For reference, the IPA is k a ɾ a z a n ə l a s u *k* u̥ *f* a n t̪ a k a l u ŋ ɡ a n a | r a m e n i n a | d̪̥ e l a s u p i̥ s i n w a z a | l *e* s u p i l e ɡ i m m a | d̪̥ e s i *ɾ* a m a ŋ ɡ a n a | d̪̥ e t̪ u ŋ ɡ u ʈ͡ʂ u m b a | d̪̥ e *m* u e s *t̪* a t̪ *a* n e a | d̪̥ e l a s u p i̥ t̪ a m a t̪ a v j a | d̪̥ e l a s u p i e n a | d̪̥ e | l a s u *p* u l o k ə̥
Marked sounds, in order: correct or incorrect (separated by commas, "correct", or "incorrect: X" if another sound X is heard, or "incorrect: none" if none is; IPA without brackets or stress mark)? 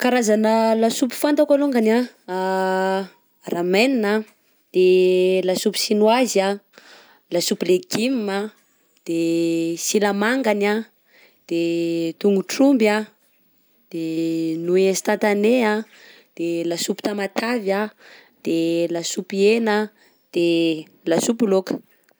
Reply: incorrect: p, correct, incorrect: a, incorrect: l, incorrect: n, correct, correct, correct